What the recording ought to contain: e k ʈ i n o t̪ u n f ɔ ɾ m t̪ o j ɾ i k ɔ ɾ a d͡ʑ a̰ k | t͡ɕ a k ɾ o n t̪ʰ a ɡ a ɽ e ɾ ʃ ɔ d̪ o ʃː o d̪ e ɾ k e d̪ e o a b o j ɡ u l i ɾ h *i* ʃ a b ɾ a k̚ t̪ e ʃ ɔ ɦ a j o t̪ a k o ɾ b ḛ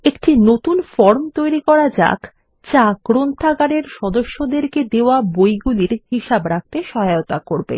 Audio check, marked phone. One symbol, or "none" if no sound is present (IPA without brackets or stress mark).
i